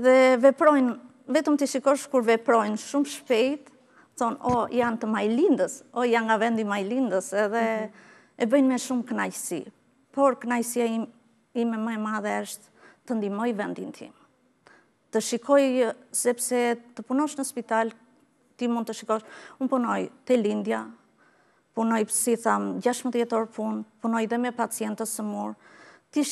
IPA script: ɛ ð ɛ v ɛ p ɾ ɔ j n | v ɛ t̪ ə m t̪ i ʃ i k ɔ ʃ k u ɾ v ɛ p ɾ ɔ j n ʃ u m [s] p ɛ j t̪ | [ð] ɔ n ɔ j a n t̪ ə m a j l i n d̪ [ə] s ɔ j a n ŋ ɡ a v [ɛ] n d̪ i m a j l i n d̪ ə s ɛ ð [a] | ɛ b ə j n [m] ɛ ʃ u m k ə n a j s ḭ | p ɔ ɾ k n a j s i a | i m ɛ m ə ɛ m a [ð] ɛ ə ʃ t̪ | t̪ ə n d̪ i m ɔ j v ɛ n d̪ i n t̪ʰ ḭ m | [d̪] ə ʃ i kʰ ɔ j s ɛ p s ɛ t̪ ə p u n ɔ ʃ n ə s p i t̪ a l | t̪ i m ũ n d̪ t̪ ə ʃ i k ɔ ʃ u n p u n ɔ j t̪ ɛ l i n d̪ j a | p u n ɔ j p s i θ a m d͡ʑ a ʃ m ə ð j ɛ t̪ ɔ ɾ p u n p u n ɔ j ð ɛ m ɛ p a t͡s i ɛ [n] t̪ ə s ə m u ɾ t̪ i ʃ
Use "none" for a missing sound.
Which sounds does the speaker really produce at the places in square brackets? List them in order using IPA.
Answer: ʃ, θ, ə, ɛ, ɛ, m, ð, t̪, n

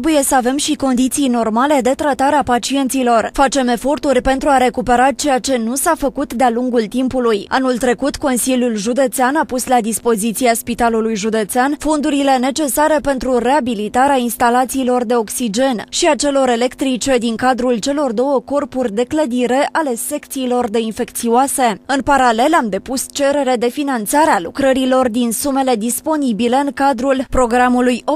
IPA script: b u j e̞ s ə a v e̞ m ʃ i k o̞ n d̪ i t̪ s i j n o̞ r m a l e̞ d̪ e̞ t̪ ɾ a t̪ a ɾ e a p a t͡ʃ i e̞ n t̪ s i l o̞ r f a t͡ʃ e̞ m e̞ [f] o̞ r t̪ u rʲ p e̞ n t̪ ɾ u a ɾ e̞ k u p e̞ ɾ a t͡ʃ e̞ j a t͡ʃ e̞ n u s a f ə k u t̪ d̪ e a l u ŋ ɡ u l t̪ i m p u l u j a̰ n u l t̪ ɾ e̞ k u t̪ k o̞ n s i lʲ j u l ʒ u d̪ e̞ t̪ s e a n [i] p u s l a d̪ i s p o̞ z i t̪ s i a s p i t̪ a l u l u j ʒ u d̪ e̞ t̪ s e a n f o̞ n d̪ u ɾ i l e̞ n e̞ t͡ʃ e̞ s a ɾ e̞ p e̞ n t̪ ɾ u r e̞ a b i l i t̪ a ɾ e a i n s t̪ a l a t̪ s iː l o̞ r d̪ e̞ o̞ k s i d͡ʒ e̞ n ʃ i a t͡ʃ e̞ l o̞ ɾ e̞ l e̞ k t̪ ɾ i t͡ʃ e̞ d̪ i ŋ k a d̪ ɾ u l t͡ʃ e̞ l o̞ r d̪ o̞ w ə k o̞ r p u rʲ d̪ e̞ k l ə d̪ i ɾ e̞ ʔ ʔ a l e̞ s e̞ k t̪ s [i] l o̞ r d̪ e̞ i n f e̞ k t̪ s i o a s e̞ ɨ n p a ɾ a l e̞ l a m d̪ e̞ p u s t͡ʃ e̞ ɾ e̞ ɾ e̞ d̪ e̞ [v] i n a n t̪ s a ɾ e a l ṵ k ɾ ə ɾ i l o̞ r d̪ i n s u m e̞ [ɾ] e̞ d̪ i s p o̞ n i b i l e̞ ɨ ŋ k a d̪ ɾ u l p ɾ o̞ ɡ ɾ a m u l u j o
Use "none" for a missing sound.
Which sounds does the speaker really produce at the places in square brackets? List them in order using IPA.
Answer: f, a, iː, f, l

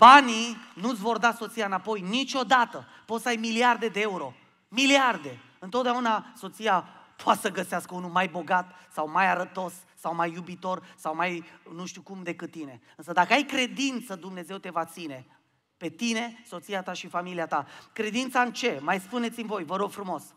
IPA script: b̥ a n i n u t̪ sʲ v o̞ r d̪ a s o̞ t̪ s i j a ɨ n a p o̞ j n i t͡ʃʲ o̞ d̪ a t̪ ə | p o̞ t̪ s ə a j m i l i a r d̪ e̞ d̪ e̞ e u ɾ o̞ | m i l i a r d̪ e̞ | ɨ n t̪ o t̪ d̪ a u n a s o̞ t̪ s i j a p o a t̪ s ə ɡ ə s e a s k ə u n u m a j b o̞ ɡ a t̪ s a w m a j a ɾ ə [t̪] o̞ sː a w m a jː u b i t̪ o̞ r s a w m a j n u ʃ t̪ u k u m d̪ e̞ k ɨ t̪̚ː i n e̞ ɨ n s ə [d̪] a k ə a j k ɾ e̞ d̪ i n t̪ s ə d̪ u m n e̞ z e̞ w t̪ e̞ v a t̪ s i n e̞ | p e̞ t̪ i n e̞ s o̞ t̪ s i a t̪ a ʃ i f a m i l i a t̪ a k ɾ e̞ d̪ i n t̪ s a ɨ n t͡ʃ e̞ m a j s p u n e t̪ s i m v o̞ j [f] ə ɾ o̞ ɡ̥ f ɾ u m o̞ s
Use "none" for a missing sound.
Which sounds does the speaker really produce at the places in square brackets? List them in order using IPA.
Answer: t̪, d̪, v

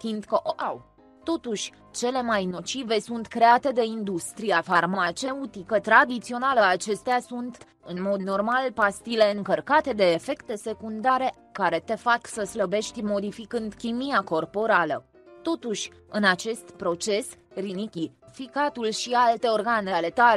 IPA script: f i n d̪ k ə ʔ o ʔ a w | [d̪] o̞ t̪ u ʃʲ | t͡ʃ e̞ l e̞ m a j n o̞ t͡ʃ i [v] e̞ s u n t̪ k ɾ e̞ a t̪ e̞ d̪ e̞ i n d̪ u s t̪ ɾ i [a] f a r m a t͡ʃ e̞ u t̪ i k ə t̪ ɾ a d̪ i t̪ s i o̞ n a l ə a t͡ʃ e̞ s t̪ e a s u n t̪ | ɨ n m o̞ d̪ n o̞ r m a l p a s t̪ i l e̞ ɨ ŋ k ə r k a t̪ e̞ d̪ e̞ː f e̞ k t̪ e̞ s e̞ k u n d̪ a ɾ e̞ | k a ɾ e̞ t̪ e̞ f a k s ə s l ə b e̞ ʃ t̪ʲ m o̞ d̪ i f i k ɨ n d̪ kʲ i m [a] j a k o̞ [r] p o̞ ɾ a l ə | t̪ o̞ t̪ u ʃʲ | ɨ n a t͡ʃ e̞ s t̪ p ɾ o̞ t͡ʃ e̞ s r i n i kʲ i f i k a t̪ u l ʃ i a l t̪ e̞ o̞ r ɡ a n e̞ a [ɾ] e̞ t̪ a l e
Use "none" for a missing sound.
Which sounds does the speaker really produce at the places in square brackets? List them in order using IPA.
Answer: t̪, v, a, i, r, l

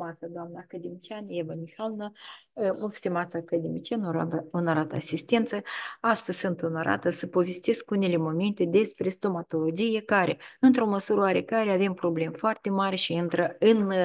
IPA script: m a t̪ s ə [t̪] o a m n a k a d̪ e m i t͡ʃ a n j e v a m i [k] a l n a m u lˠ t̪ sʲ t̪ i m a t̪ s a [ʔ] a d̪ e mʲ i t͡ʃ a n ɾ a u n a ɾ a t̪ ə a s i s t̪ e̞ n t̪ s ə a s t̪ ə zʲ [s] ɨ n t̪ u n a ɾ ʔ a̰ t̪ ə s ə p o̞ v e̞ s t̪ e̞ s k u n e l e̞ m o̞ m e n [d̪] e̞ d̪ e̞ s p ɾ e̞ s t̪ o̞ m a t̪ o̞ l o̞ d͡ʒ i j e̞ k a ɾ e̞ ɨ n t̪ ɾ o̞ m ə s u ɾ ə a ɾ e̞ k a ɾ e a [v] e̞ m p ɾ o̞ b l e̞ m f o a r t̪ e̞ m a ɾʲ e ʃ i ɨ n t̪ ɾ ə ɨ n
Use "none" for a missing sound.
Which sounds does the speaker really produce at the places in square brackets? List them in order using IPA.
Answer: d̪, x, k, s, t̪, v

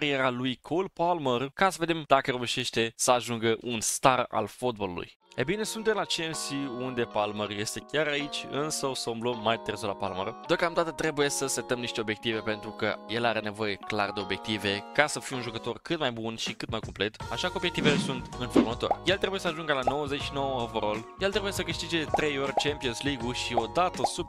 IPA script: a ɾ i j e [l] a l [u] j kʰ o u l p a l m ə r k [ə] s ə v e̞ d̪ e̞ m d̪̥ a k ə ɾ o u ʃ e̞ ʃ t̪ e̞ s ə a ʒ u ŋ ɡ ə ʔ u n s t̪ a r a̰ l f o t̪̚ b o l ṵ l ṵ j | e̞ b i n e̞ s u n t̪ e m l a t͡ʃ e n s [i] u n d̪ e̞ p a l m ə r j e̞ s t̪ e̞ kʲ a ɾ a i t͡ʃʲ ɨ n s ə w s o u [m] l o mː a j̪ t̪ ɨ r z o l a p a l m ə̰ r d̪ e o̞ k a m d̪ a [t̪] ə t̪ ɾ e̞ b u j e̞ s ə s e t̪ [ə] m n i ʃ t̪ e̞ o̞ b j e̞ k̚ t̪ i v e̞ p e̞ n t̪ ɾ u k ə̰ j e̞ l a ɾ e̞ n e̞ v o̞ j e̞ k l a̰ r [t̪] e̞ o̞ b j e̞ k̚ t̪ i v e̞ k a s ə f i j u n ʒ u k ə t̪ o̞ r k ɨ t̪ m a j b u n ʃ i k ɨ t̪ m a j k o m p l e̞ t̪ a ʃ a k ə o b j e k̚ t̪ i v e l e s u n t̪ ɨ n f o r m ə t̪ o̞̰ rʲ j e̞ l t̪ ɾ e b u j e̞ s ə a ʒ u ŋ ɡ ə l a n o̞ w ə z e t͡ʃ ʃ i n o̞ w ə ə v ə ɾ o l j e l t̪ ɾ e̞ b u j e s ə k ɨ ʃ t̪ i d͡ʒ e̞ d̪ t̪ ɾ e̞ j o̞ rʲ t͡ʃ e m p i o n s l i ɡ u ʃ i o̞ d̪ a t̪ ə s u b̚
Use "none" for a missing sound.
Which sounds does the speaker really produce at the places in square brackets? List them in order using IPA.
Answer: ɾ, u, a, i, m, t̪, ə, d̪

